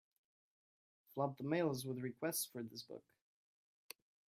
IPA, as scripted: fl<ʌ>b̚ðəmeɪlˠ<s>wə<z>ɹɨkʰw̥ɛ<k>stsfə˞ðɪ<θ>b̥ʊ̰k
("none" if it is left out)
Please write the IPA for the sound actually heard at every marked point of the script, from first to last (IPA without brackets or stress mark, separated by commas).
ʌ, z, ð, none, s